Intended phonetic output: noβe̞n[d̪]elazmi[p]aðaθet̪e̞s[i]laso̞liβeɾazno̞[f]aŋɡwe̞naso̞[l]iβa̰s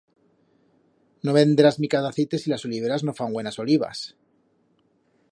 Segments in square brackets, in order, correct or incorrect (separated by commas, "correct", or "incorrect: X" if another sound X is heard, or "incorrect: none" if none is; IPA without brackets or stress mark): correct, incorrect: k, correct, correct, correct